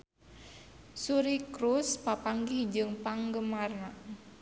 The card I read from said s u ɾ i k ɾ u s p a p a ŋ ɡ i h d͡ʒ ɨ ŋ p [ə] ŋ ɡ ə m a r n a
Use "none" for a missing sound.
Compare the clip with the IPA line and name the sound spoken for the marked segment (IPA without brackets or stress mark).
a